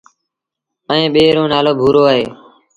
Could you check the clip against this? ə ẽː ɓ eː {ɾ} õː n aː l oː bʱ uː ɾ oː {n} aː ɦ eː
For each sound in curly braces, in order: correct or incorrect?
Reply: correct, incorrect: none

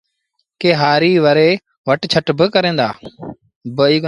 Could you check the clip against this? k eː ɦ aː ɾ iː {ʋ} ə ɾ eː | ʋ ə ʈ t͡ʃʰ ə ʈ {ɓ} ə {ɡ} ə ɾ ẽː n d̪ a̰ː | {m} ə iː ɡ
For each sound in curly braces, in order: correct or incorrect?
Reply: correct, incorrect: b, incorrect: k, incorrect: b

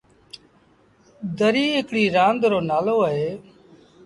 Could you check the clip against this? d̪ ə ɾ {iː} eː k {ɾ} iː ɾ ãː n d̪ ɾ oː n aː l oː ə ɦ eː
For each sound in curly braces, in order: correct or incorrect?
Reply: correct, incorrect: ɽ

